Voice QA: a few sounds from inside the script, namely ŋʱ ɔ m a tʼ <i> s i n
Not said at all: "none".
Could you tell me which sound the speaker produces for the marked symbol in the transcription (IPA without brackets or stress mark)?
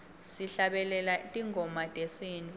e